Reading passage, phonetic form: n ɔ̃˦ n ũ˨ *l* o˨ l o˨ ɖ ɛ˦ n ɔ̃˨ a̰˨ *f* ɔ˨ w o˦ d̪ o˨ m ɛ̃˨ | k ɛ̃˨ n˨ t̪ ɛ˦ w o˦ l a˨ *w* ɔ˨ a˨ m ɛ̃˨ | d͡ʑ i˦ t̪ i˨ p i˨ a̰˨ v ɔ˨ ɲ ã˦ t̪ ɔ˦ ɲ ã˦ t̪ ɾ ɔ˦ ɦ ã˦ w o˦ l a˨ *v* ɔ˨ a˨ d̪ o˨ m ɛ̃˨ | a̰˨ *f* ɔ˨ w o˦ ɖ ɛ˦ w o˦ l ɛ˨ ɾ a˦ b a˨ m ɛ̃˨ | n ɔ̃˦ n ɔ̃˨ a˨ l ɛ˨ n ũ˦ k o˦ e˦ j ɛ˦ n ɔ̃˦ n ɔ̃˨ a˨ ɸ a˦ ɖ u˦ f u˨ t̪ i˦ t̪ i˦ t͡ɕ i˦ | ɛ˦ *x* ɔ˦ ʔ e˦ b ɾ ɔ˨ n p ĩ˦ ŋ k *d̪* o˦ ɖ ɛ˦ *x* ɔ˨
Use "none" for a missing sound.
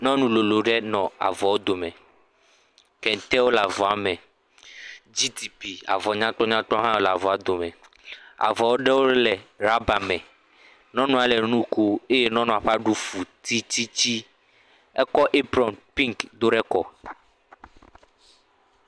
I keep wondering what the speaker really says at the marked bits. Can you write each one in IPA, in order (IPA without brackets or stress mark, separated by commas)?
l, v, v, v, v, k, d̪, k